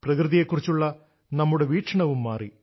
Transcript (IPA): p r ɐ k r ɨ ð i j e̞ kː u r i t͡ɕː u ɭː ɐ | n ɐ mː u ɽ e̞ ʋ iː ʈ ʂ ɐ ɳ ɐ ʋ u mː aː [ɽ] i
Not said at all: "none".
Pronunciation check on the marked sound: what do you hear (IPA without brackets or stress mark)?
r